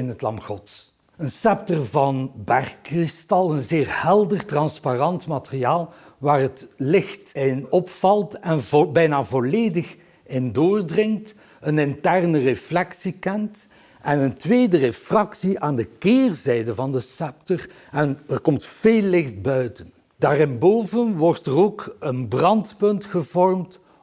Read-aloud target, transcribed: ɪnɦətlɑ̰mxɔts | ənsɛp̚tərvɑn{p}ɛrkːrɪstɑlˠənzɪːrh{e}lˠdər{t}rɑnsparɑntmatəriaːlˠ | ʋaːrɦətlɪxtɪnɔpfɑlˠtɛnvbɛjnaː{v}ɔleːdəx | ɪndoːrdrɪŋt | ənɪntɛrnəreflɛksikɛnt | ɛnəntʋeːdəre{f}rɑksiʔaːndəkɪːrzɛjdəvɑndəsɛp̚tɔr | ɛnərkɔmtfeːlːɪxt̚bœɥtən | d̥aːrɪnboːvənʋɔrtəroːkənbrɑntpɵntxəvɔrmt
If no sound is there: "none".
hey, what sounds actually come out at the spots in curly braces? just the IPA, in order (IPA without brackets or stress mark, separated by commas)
b, ɛ, t, v, f